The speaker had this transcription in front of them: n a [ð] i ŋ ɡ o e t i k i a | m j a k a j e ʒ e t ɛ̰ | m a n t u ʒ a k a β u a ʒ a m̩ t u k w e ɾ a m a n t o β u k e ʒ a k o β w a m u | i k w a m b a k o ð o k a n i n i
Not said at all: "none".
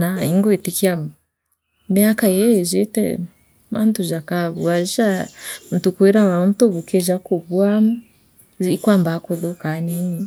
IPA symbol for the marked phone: none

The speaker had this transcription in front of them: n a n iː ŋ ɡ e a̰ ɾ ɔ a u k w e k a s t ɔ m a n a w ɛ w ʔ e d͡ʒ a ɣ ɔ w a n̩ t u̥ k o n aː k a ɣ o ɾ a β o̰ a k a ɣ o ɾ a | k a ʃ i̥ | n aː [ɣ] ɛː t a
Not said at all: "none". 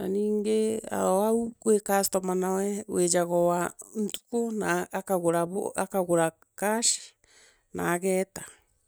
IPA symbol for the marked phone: ɣ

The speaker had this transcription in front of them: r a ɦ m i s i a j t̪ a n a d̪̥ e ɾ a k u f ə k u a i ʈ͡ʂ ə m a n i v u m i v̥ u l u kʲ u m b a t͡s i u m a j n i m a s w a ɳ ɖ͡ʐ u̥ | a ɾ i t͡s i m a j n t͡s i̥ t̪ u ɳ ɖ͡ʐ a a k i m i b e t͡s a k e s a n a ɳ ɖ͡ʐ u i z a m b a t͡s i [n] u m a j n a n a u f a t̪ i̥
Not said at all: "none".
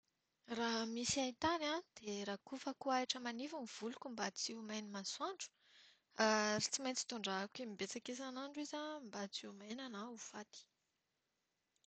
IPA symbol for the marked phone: none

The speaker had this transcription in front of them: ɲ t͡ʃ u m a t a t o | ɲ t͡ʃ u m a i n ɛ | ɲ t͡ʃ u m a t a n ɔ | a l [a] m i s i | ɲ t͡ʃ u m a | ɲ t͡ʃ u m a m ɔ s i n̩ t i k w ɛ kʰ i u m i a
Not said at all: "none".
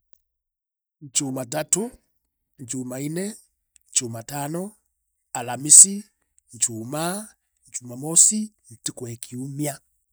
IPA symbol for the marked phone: a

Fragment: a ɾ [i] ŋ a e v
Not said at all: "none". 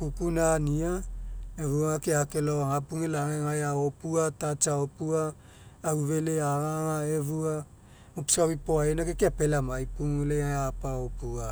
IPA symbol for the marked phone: a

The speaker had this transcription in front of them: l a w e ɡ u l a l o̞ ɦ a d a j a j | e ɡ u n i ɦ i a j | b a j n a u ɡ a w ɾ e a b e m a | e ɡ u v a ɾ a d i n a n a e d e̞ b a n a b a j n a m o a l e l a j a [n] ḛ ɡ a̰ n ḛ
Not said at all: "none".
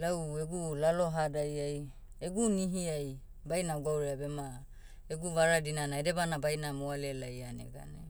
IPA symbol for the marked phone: n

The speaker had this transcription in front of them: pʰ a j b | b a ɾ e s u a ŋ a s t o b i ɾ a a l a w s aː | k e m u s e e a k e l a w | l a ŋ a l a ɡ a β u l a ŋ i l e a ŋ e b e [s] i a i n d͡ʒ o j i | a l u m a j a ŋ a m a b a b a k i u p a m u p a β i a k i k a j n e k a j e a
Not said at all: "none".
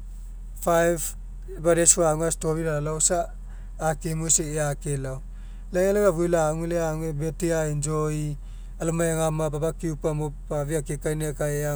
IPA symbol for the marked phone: t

